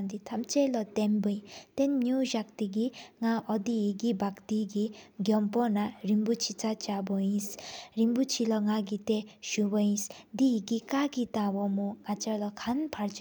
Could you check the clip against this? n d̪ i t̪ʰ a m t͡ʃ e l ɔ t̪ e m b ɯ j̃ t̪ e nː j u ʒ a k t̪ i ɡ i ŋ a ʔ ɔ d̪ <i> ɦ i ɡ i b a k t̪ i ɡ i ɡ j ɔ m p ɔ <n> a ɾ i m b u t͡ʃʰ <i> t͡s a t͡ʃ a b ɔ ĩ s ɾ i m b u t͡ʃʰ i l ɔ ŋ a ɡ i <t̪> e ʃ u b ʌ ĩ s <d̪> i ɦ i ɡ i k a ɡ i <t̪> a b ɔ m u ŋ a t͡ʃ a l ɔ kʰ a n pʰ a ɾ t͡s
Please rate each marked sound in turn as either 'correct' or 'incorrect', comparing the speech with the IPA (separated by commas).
correct, correct, correct, correct, correct, correct